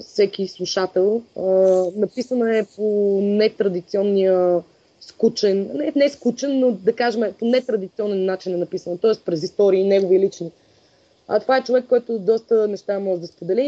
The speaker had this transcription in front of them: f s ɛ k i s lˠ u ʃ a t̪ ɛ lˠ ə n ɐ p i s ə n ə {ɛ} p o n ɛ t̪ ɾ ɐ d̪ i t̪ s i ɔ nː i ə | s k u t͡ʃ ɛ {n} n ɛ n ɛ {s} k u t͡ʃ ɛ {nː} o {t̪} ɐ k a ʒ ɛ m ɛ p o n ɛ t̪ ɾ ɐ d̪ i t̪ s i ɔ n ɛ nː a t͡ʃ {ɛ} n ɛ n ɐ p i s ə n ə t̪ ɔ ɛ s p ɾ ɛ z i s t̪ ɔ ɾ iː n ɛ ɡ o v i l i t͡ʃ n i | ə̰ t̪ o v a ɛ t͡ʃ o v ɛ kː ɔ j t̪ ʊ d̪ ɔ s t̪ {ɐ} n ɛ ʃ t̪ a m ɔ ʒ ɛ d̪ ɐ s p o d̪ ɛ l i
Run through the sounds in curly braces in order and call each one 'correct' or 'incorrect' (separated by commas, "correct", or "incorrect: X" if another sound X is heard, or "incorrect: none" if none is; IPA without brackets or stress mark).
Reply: correct, correct, correct, correct, incorrect: d̪, incorrect: i, incorrect: ə